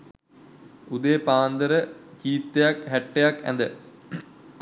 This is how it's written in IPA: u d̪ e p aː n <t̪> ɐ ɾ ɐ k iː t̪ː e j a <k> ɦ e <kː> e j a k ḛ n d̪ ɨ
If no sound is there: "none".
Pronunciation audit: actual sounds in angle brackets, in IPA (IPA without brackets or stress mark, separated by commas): d̪, k, ʈː